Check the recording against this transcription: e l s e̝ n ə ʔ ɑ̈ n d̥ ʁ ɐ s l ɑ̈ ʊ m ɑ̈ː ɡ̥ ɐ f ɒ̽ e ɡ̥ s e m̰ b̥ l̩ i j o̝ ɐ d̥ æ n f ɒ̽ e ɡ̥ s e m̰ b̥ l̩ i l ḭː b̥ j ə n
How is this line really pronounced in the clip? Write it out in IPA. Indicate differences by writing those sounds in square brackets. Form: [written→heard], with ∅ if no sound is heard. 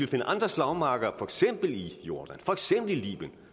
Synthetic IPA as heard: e l [s→f] e̝ n ə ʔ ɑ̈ n d̥ ʁ ɐ s l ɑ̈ ʊ m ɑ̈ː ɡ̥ ɐ f ɒ̽ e ɡ̥ s e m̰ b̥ l̩ i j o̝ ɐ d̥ æ n f ɒ̽ e ɡ̥ s e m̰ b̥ l̩ i l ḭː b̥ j ə n